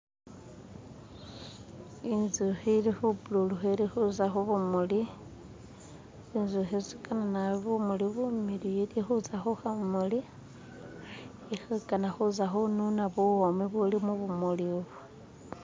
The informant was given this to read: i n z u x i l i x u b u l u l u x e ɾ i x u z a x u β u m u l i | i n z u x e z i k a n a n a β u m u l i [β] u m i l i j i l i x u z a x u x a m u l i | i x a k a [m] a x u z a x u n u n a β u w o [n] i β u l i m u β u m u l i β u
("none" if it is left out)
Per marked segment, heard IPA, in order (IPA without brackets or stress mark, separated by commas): β, n, m